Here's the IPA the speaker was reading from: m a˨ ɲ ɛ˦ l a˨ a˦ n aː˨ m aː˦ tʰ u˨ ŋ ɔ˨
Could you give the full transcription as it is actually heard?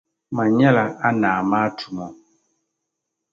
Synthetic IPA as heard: m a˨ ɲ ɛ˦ l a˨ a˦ n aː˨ m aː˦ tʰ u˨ m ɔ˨